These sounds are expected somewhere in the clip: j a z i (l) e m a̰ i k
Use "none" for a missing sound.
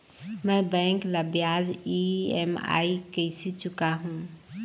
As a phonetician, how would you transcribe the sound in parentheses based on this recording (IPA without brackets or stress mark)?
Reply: none